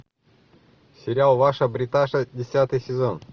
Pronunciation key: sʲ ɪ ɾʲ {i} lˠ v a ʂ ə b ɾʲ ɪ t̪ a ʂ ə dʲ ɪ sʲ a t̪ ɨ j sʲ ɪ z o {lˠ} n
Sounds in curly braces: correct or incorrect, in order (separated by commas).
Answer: incorrect, incorrect